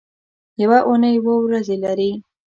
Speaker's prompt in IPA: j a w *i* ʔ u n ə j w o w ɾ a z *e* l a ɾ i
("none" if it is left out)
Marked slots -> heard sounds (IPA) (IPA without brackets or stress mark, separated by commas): a, e